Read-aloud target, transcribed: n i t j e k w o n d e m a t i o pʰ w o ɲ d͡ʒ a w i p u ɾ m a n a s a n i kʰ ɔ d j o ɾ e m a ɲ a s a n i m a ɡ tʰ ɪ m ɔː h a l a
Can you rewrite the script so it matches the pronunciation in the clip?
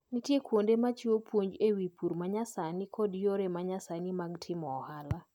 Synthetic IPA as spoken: n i t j e k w o n d e m a t͡ʃ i o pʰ w o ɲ d͡ʒ e w i p u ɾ m a ɲ a s a n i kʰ ɔ d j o ɾ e m a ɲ a s a n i m a ɡ tʰ ɪ m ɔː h a l a